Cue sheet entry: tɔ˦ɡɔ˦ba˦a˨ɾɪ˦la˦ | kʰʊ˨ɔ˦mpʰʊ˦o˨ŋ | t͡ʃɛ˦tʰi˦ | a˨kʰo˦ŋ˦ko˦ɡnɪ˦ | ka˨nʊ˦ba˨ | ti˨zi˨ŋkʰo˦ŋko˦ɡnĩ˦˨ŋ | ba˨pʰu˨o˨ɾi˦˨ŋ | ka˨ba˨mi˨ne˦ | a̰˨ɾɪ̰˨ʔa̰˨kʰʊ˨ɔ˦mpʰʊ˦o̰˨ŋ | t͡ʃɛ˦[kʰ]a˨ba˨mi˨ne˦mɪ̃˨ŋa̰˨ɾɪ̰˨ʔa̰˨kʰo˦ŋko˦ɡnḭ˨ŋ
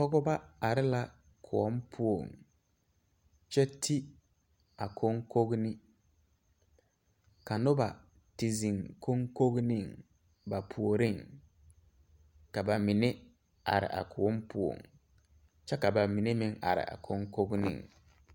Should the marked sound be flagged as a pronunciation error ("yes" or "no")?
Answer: yes